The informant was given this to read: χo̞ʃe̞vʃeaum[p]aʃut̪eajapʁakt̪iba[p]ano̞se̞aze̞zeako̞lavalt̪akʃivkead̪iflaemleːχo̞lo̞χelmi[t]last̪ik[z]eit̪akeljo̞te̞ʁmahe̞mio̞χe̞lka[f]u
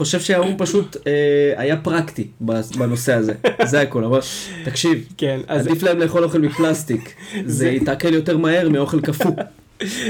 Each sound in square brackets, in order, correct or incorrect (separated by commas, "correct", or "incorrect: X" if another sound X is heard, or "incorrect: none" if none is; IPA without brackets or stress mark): correct, incorrect: b, incorrect: p, correct, correct